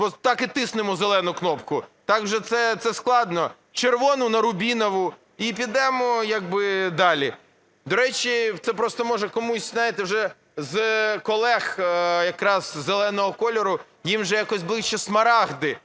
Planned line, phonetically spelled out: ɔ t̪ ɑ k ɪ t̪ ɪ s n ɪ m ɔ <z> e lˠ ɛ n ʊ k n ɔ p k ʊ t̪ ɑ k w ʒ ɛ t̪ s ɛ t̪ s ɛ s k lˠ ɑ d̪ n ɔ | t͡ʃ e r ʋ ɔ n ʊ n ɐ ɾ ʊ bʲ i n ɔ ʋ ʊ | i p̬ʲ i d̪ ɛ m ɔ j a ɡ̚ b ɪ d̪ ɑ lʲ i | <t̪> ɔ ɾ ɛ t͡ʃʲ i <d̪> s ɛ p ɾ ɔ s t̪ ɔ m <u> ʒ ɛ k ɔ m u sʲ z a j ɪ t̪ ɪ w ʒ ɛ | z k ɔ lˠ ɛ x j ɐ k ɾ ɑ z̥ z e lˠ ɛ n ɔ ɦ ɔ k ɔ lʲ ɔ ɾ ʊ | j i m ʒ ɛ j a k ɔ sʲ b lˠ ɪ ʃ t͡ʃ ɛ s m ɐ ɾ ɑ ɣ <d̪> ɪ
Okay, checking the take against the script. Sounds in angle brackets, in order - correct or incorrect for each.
correct, incorrect: d̪, incorrect: t̪, incorrect: ɔ, correct

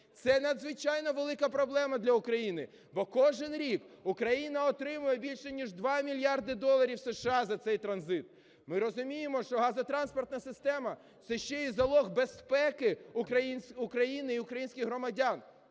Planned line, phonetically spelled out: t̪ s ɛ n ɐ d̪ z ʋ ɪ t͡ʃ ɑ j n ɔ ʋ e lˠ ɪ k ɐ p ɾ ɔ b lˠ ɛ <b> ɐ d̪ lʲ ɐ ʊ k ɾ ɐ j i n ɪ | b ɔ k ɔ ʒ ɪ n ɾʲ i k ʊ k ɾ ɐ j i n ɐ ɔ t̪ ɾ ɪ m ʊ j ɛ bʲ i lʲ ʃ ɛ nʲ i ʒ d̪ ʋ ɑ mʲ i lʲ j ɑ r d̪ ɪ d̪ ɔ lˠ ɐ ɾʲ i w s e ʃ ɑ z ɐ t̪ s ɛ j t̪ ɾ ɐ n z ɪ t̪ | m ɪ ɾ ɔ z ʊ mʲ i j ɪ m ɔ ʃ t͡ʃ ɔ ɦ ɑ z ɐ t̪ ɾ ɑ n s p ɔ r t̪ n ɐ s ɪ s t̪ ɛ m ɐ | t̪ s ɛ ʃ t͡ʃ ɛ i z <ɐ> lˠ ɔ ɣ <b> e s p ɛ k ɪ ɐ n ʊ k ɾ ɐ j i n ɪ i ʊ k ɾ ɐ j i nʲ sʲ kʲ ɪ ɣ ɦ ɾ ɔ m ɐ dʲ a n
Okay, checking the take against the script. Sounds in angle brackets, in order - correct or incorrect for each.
incorrect: m, correct, correct

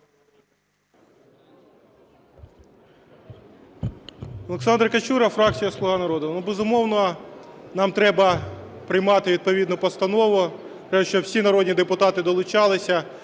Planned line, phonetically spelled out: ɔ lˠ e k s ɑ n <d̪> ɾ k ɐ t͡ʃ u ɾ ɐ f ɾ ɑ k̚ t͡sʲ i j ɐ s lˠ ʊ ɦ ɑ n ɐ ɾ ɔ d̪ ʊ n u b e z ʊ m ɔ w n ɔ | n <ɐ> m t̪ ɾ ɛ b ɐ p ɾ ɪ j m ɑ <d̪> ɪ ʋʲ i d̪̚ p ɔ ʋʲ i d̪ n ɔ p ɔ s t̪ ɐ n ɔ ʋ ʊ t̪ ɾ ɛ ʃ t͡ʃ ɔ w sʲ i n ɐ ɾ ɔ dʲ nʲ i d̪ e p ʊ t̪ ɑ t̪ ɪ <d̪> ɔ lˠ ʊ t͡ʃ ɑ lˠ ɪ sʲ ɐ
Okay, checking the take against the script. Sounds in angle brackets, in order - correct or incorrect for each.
correct, incorrect: ɑ, incorrect: t̪, correct

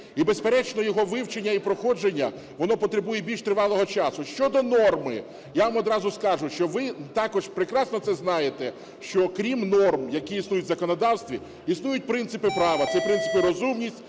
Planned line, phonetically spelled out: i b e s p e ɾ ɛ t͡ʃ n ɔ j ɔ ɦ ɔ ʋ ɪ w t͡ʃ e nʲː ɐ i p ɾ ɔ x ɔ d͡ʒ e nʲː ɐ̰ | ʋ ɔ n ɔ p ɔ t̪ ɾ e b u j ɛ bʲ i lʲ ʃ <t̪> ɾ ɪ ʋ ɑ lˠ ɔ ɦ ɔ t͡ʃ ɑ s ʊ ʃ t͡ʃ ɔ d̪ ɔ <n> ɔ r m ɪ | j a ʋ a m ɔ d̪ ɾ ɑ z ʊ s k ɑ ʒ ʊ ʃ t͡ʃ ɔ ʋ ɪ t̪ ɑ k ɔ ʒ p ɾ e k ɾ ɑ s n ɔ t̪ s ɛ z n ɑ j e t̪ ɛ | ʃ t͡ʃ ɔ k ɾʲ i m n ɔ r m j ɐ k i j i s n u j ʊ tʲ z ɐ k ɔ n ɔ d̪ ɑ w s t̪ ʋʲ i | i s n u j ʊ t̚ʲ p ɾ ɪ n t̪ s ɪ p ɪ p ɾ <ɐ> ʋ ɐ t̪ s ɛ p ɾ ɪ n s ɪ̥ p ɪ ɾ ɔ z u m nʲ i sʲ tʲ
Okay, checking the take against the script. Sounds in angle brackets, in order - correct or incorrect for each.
correct, correct, incorrect: ɑ

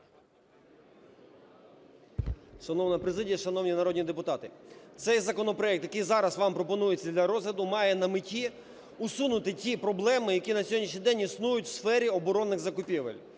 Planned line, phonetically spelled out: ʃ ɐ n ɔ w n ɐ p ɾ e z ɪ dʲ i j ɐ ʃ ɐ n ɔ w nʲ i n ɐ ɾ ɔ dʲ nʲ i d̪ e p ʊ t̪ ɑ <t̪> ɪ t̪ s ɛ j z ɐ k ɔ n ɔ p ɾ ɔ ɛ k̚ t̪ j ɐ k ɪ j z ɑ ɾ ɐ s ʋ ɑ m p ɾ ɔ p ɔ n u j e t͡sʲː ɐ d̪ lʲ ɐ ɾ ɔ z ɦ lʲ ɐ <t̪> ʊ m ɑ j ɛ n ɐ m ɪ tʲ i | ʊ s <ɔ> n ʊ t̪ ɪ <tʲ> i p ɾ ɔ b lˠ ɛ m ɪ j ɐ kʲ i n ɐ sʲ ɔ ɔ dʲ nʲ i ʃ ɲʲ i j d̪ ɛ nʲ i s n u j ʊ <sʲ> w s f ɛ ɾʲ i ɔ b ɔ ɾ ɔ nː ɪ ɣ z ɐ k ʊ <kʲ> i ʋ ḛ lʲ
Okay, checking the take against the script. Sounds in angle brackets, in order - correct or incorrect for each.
correct, incorrect: d̪, incorrect: u, correct, incorrect: tʲ, incorrect: pʲ

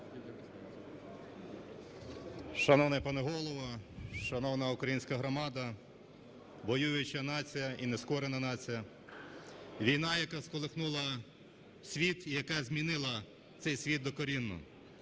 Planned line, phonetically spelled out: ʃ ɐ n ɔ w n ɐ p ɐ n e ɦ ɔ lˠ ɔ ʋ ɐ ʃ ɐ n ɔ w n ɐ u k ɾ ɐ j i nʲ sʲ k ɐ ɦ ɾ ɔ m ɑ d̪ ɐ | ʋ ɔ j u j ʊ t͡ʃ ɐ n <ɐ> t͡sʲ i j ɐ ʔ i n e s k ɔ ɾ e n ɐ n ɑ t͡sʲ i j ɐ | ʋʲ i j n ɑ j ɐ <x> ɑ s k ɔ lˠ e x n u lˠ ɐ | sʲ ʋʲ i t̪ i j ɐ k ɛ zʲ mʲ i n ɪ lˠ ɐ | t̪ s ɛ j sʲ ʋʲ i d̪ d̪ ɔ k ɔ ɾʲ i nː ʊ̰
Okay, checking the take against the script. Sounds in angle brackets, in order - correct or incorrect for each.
incorrect: ɑ, incorrect: k

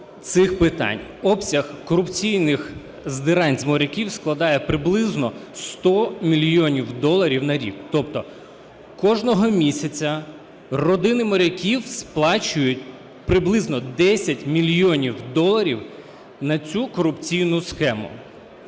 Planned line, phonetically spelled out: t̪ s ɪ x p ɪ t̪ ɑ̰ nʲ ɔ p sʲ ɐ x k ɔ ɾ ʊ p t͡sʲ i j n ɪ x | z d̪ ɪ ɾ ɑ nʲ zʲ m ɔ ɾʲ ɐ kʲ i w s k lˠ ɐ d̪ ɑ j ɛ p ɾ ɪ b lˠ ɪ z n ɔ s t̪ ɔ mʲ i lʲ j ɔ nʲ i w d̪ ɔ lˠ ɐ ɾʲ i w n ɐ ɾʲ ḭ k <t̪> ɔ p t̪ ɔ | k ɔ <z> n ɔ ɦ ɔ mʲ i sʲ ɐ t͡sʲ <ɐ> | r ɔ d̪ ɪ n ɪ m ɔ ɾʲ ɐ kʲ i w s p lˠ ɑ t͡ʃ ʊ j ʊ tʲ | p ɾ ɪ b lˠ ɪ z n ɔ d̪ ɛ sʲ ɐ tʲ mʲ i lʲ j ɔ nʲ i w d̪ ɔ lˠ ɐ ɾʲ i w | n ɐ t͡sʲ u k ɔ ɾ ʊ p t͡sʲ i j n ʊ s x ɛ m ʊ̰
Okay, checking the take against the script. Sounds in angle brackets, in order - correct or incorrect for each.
correct, incorrect: ʒ, correct

